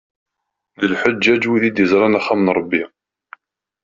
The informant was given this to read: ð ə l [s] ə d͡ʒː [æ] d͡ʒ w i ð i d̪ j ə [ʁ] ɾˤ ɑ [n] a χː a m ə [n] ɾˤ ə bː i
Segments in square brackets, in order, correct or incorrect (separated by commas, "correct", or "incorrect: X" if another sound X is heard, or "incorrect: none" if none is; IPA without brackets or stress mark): incorrect: ħ, correct, incorrect: z, correct, correct